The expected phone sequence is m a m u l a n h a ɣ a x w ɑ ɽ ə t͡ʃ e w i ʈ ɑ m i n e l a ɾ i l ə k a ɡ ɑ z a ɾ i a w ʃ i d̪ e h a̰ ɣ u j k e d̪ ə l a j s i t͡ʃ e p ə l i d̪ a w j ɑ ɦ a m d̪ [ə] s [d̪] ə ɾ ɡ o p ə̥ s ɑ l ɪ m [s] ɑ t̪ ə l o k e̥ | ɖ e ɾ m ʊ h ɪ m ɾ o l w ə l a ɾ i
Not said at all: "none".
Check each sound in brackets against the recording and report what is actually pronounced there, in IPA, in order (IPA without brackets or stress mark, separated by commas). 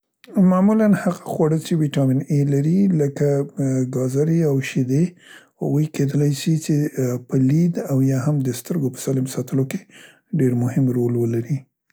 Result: ə, t̪, s